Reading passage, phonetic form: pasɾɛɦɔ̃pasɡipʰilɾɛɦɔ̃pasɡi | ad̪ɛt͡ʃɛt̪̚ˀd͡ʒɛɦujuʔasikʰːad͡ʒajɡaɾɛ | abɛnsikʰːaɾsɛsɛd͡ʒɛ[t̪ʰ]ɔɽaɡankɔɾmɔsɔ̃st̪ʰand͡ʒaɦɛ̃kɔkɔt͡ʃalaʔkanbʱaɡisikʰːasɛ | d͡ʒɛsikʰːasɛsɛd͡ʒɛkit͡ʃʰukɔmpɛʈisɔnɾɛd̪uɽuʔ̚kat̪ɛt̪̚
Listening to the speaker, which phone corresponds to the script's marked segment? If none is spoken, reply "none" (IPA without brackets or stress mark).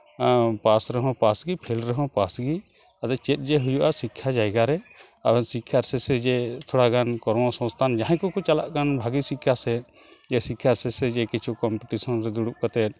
t̪ʰ